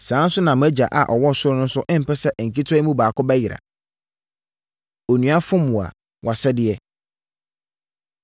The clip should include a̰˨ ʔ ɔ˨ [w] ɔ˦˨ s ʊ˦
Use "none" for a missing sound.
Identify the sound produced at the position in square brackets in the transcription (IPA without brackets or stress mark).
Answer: w